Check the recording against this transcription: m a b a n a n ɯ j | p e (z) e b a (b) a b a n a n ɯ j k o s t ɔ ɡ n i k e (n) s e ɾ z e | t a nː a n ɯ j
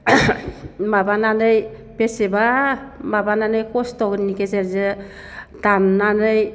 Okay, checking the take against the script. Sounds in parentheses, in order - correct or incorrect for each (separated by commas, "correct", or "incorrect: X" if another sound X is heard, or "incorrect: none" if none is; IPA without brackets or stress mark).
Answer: incorrect: s, incorrect: m, incorrect: none